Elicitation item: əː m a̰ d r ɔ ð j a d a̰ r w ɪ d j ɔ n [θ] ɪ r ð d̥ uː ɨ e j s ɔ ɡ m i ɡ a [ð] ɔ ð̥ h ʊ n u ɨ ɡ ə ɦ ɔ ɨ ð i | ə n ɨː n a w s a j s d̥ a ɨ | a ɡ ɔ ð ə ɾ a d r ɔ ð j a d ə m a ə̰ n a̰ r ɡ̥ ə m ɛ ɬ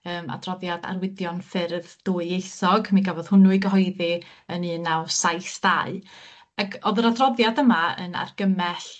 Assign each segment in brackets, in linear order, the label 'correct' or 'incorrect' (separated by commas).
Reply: incorrect, incorrect